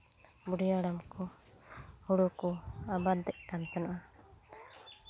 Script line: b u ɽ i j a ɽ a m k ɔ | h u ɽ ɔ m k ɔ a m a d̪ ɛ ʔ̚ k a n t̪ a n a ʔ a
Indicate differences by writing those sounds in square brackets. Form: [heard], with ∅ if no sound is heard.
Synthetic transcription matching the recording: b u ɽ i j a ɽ a m k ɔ | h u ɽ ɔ [∅] k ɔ a [b] a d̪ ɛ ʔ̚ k a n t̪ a n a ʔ a